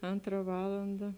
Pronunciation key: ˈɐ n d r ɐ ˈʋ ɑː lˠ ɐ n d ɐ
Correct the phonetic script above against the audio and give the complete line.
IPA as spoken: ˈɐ n t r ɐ ˈʋ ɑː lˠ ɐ n d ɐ